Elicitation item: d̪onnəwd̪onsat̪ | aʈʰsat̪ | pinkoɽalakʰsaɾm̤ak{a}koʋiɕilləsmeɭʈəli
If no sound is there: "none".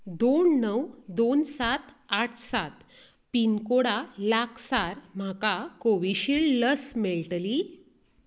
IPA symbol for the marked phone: a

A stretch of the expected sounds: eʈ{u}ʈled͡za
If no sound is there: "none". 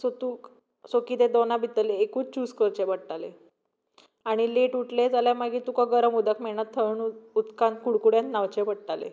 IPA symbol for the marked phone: u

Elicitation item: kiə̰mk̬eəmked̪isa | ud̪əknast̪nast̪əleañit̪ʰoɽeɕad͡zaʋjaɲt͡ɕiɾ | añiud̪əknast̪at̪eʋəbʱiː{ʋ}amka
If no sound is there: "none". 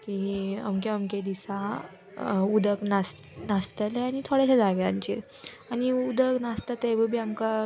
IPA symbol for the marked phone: none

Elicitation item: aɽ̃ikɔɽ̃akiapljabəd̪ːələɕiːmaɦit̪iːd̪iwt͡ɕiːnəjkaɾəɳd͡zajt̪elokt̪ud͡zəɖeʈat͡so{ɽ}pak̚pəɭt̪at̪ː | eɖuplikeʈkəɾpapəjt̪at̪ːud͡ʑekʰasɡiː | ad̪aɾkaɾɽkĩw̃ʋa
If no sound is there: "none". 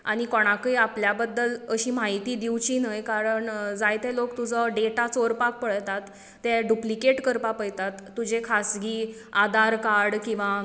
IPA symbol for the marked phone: ɾ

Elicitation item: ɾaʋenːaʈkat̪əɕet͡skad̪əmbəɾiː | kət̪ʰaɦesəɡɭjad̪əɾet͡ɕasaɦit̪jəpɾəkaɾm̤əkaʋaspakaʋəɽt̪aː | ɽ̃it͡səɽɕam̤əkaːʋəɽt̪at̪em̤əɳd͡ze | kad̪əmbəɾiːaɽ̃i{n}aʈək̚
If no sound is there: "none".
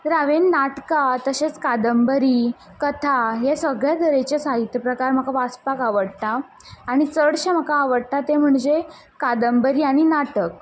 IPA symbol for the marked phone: n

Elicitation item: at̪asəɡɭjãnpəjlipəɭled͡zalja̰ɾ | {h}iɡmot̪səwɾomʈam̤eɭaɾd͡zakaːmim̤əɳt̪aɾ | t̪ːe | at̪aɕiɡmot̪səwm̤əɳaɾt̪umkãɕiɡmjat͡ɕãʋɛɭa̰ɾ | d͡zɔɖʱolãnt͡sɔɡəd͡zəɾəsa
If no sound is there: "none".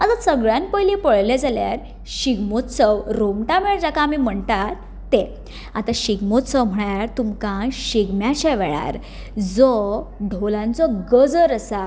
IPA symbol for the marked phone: ɕ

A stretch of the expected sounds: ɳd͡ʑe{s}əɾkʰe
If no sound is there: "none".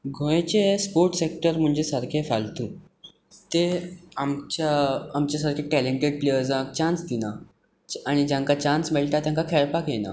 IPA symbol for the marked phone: s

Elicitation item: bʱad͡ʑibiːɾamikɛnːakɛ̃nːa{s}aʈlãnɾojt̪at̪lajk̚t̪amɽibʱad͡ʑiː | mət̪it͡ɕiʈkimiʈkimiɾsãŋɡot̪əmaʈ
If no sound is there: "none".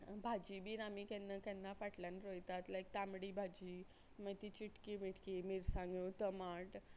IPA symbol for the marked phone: f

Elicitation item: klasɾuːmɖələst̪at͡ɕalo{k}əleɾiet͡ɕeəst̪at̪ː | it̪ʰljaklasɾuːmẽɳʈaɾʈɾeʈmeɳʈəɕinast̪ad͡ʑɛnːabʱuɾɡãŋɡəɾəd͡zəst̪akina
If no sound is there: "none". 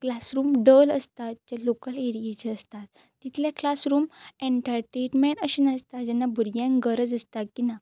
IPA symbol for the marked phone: k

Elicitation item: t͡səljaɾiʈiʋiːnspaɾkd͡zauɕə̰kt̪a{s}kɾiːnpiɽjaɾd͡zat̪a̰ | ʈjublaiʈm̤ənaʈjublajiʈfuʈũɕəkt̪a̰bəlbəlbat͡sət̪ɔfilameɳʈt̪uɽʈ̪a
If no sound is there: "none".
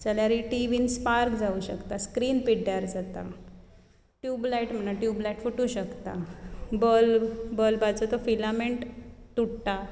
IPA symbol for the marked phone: s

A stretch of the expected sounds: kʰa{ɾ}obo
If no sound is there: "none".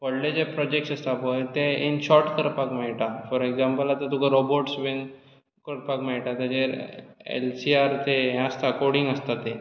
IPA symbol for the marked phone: ɾ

